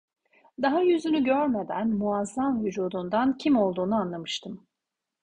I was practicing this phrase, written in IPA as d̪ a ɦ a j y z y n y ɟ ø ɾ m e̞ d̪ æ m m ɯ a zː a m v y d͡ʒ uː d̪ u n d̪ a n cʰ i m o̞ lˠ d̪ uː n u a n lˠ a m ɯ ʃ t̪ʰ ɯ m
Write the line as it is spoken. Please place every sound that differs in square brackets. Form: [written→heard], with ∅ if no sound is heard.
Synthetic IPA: d̪ a ɦ a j y z y n y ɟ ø ɾ m e̞ d̪ æ [m→n] m [ɯ→u] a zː a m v y d͡ʒ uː d̪ u n d̪ a n cʰ i m o̞ lˠ d̪ uː n u a n lˠ a m ɯ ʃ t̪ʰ ɯ m